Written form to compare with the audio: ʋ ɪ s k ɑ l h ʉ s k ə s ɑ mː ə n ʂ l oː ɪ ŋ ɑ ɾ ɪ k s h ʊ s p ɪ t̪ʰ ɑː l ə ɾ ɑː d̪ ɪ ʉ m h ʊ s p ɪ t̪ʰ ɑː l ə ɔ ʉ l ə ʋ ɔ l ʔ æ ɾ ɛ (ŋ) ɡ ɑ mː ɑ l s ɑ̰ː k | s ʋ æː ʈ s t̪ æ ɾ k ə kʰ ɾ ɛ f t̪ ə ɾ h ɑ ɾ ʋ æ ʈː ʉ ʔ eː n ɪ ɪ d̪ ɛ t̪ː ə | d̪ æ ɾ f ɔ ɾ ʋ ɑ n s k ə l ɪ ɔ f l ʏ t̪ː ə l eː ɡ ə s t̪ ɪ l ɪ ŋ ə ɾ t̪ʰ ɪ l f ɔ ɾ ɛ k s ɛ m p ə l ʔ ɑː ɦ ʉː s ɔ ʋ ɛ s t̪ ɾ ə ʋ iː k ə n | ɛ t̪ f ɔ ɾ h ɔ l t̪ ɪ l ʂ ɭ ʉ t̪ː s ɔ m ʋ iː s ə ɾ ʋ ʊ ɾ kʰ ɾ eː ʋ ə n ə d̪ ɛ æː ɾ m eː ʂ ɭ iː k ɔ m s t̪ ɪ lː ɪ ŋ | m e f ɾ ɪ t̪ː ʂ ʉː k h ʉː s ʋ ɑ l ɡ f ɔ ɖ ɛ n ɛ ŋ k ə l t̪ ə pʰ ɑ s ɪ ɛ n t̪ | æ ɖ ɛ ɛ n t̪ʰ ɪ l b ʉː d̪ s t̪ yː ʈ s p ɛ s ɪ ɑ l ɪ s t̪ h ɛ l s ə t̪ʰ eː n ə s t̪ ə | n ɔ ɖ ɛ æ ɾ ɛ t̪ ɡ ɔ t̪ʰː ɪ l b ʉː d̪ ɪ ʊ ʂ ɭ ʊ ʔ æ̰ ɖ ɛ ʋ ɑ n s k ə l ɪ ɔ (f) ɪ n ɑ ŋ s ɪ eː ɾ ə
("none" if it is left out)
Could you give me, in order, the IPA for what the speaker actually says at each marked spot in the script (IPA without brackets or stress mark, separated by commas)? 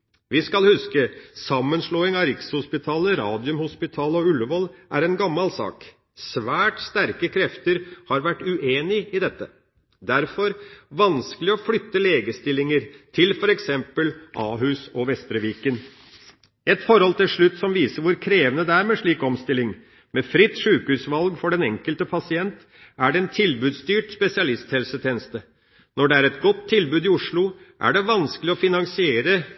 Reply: n, f